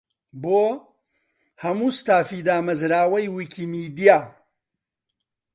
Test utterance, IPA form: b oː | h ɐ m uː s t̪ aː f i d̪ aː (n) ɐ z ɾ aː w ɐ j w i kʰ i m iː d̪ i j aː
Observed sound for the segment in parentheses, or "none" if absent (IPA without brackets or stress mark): m